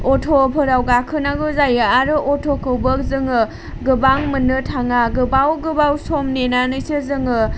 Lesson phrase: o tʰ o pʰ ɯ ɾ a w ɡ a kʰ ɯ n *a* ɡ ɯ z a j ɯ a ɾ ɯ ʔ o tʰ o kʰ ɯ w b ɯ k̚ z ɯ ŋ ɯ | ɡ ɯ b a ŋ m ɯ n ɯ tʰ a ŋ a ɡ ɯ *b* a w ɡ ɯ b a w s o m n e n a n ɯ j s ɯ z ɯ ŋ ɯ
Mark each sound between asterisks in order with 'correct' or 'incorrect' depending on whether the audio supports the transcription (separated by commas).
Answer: correct, correct